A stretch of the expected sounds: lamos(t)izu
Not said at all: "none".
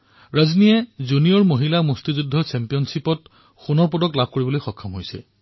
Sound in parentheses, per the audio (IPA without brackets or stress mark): t